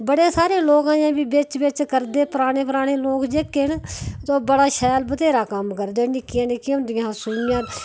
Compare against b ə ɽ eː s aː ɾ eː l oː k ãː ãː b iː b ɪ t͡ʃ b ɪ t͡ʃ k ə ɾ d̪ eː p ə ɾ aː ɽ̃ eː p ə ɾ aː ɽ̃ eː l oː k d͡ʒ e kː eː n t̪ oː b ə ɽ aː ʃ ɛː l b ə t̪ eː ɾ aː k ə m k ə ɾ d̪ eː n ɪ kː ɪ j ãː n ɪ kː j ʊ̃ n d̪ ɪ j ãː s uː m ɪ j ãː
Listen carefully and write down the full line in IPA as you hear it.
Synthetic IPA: b ə ɽ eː s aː ɾ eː l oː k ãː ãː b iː b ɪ t͡ʃ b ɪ t͡ʃ k ə ɾ d̪ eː p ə ɾ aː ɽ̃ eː p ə ɾ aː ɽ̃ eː l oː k d͡ʒ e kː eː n t̪ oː b ə ɽ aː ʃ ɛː l b ə t̪ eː ɾ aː k ə m k ə ɾ d̪ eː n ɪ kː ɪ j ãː n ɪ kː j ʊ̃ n d̪ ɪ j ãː s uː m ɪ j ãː